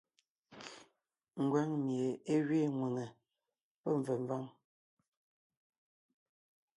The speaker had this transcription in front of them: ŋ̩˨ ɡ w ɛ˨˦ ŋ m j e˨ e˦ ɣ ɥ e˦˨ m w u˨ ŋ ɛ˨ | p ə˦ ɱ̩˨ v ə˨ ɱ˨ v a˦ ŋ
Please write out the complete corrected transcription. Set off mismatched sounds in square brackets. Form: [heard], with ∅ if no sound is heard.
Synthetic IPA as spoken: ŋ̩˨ ɡ w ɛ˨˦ ŋ m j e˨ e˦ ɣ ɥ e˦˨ [ŋ] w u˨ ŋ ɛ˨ | p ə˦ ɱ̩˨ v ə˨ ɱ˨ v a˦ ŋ